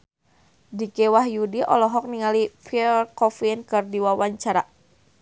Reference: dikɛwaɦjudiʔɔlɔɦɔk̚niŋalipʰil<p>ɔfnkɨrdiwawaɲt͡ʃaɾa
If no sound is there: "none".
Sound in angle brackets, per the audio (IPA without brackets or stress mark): k